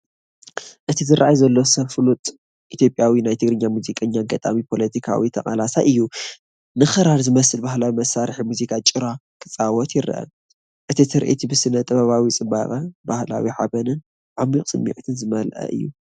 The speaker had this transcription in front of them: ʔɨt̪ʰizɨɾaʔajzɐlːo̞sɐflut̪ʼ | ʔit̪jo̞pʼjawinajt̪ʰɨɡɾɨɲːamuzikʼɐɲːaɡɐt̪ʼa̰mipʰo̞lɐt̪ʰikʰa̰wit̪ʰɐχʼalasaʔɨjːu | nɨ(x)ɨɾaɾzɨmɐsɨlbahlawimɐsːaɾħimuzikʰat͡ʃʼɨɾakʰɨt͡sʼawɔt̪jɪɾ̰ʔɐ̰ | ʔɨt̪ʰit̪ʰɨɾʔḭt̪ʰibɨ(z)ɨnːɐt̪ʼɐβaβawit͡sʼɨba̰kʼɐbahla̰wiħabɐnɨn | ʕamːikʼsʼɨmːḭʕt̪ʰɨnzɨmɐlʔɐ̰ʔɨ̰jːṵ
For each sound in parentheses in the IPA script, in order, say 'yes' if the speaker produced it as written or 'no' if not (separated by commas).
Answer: yes, no